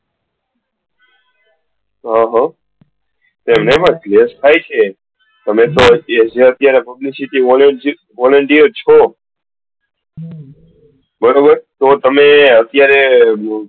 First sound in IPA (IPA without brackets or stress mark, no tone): ɦ